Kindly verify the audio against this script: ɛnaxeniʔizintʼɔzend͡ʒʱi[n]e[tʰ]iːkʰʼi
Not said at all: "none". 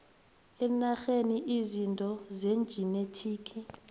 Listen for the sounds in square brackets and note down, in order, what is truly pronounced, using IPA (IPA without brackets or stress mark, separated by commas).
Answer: n, tʰ